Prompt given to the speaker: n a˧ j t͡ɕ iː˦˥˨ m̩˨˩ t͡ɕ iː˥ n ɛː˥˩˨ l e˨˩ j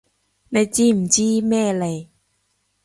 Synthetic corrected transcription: n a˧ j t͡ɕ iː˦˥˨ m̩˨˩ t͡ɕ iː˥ m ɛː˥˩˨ l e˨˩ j